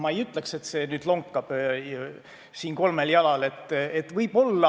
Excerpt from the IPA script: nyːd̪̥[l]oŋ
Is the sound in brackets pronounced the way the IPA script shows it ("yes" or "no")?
yes